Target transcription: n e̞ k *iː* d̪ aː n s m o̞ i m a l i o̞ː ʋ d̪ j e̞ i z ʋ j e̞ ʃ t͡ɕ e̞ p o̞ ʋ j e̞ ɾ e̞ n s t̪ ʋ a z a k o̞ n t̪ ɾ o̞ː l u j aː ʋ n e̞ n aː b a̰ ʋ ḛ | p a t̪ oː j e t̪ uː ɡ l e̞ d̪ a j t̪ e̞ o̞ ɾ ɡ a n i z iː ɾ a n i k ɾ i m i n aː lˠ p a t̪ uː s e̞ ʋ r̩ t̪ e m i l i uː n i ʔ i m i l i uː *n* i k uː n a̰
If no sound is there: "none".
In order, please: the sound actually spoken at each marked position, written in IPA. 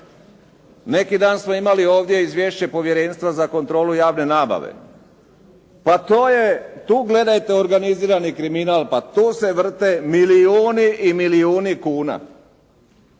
i, n

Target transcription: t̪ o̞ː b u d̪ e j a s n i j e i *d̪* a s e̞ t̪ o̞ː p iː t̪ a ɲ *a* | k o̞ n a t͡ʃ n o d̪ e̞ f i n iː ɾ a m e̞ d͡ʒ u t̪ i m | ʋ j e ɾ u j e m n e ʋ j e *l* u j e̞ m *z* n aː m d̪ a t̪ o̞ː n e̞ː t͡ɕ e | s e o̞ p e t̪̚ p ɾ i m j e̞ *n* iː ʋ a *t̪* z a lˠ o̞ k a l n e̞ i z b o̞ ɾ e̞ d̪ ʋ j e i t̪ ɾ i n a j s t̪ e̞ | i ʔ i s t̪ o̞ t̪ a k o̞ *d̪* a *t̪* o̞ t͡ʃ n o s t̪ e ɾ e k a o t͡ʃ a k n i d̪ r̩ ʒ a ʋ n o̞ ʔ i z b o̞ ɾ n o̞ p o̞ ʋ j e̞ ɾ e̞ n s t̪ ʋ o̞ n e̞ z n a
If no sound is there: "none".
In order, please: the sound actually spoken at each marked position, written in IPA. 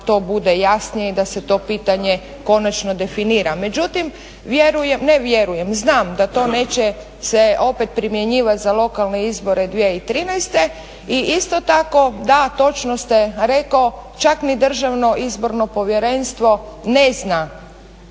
d̪, e, ɾ, z, ɲ, t̪, d̪, t̪

